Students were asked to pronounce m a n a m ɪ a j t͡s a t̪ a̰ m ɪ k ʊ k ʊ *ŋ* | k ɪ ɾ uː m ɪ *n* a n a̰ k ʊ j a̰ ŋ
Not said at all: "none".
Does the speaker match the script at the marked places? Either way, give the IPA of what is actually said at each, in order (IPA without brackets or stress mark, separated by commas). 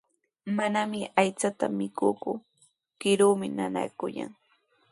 none, n